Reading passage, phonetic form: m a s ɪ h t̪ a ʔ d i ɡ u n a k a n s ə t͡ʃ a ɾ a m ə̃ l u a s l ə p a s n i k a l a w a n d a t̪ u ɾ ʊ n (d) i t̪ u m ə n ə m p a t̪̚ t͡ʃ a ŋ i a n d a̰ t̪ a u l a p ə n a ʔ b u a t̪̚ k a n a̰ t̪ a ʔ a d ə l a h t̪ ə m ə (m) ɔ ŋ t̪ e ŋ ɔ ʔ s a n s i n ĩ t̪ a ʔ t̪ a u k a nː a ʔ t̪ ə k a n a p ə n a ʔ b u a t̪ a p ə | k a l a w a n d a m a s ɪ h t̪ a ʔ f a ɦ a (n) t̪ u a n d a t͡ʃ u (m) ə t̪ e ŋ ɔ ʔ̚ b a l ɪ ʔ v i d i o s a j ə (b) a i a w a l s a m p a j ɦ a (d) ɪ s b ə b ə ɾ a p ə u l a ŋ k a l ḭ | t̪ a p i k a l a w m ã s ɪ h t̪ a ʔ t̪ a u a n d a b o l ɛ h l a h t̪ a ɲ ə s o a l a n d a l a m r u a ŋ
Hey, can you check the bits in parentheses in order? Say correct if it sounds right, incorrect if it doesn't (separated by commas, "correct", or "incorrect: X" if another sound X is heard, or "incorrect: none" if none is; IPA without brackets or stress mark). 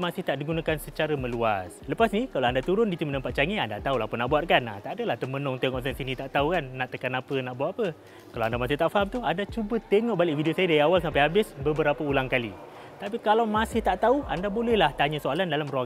correct, incorrect: n, incorrect: m, incorrect: b, incorrect: d, incorrect: b